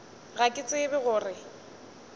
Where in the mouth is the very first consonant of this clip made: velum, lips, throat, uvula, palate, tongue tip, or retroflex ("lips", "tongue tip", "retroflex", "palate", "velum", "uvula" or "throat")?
velum